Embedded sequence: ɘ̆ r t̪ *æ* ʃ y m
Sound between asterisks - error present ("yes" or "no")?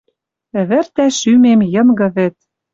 no